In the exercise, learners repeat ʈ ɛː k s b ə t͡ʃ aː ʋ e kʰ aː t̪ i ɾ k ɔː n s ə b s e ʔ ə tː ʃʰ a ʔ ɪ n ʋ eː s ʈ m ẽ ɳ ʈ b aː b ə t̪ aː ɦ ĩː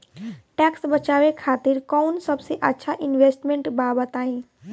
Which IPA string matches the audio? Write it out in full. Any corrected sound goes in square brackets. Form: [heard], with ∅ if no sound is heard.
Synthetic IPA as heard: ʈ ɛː k s b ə t͡ʃ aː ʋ e kʰ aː t̪ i ɾ k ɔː n s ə b s e ʔ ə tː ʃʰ a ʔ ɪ n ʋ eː s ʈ m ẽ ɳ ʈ b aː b ə t̪ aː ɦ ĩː